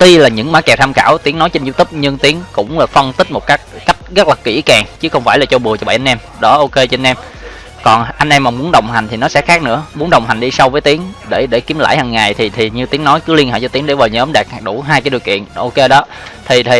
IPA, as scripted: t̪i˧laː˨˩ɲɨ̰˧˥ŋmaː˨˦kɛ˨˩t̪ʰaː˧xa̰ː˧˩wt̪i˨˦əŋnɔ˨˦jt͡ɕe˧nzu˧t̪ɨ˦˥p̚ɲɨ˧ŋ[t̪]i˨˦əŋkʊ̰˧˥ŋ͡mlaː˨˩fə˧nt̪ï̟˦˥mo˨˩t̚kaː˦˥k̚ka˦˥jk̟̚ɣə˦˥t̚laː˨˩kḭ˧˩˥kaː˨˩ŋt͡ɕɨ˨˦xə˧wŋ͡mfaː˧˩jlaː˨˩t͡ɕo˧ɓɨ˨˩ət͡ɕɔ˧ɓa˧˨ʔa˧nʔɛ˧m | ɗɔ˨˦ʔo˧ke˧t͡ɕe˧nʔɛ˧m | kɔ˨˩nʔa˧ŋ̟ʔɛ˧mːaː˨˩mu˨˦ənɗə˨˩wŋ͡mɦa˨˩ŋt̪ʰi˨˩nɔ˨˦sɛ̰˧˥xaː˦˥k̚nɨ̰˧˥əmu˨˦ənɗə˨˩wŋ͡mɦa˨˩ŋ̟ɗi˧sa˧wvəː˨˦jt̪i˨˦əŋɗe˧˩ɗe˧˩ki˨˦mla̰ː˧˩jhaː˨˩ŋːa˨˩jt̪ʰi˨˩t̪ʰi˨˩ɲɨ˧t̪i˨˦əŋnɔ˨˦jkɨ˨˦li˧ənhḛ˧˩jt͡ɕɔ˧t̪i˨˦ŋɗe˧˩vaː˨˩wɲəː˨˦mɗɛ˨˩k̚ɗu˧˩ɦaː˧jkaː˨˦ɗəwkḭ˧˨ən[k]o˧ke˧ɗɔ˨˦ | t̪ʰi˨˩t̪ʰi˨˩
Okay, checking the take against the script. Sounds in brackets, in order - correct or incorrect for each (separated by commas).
correct, incorrect